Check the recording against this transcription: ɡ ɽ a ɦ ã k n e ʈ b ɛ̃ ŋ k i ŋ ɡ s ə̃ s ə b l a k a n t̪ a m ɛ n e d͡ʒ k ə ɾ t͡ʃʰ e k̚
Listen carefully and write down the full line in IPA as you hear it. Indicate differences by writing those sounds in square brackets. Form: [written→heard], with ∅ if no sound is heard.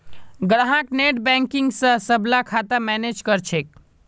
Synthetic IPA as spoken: ɡ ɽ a ɦ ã k n e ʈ b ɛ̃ ŋ k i ŋ ɡ s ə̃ s ə b l a [k→kʰ] a [n→∅] t̪ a m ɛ n e d͡ʒ k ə ɾ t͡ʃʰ e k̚